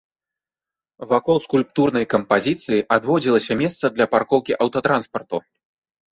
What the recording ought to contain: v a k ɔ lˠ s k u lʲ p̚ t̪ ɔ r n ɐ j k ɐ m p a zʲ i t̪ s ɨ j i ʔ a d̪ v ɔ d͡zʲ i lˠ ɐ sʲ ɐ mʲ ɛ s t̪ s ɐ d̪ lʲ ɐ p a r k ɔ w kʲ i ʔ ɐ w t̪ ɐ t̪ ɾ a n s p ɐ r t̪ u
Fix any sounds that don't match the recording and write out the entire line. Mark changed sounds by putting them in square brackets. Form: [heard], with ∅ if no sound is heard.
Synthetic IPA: v a k ɔ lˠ s k u lʲ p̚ t̪ [u] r n ɐ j k ɐ m p a zʲ i t̪ s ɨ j i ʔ a d̪ v ɔ d͡zʲ i lˠ ɐ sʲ ɐ mʲ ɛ s t̪ s ɐ d̪ lʲ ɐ p a r k ɔ w kʲ i ʔ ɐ w t̪ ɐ t̪ ɾ a n s p ɐ r t̪ u